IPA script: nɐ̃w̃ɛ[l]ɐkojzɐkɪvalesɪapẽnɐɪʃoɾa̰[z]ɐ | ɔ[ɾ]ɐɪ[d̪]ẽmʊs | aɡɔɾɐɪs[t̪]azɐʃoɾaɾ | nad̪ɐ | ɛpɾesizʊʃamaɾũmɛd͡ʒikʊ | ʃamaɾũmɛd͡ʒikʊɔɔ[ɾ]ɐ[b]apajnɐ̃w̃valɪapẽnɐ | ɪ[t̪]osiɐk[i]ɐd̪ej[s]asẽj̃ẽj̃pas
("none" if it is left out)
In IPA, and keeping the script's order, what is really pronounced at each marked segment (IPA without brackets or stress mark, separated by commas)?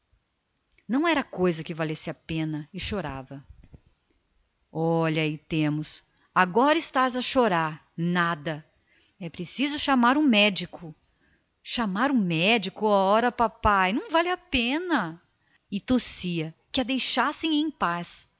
ɾ, v, ʎ, t̪, t̪, ɾ, p, t̪, ɪ, ʃ